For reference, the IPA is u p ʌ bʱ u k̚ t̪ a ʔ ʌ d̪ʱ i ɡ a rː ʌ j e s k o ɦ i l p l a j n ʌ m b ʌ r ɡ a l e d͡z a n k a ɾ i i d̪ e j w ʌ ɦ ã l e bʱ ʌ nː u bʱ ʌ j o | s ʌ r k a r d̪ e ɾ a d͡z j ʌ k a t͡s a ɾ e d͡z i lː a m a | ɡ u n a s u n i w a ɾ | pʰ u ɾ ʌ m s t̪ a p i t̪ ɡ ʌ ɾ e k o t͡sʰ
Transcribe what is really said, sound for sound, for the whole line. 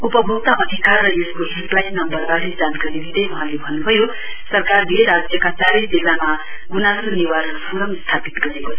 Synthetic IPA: u p ʌ bʱ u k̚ t̪ a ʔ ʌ d̪ʱ i k a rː ʌ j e s k o ɦ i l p l a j n ʌ m b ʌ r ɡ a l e d͡z a n k a ɾ i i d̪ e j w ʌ ɦ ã l e bʱ ʌ nː u bʱ ʌ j o | s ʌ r k a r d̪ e ɾ a d͡z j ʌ k a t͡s a ɾ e d͡z i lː a m a | ɡ u n a s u n i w a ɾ | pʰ u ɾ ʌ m s t̪ʰ a p i t̪ ɡ ʌ ɾ e k o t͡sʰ